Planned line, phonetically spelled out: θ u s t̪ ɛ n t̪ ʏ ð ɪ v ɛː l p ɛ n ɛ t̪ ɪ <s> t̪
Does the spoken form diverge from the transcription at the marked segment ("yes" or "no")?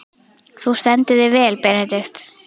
yes